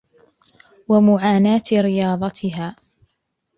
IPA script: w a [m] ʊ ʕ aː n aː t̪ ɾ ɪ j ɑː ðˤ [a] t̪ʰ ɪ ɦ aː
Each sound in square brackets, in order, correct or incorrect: correct, incorrect

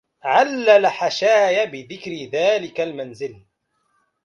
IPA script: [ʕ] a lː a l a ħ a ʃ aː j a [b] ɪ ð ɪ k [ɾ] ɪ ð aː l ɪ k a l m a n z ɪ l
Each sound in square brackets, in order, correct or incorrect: correct, correct, correct

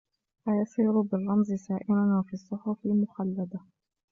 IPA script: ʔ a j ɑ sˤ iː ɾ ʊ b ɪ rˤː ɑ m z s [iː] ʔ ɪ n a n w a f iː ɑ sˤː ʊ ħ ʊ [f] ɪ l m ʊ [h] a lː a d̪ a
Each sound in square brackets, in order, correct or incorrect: incorrect, correct, incorrect

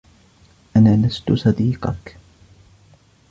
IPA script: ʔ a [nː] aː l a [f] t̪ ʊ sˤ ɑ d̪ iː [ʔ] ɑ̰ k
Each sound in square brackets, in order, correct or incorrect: incorrect, incorrect, incorrect

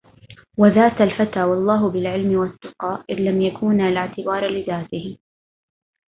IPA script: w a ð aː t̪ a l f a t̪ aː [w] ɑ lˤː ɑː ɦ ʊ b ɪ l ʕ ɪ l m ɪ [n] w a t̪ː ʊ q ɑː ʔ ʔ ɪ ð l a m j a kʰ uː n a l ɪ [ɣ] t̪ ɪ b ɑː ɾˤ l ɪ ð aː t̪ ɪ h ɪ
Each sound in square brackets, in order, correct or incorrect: correct, incorrect, incorrect

